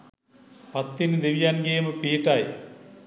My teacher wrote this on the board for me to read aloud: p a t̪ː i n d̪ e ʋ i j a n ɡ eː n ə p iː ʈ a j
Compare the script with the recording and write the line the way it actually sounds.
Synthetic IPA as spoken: p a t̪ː i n d̪ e ʋ i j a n ɡ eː m ə p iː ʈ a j